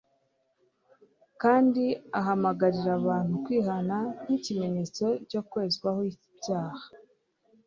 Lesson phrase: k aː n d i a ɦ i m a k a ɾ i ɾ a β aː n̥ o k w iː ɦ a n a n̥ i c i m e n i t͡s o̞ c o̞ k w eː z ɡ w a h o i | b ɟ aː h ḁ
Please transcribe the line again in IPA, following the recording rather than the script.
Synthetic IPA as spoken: k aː n d i a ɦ a m a ɡ a ɾ i ɾ a β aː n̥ u k w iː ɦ a n a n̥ i c i m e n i t͡s o̞ c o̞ k w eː z ɡ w a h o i | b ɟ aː h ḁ